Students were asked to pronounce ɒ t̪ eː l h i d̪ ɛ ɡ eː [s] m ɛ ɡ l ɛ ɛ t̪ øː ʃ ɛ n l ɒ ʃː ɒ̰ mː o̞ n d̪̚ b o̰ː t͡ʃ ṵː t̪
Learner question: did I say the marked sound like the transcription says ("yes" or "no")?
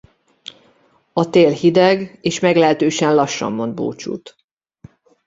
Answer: no